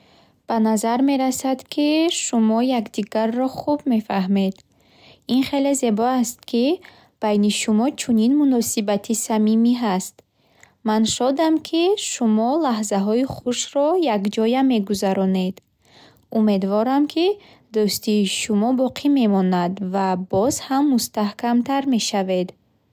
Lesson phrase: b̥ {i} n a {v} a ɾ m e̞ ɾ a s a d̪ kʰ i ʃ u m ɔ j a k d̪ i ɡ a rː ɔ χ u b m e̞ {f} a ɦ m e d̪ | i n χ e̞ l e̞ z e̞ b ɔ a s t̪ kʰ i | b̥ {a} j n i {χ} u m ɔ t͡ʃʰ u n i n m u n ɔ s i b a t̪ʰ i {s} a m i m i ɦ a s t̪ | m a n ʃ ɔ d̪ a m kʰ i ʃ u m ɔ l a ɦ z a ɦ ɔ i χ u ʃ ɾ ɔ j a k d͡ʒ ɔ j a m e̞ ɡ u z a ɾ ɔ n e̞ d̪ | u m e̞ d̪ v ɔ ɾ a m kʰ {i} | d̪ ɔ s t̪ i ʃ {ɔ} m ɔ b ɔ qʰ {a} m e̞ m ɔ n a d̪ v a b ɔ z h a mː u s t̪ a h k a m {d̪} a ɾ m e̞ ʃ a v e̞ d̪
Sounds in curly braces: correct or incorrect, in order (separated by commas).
incorrect, incorrect, correct, correct, incorrect, correct, correct, incorrect, incorrect, incorrect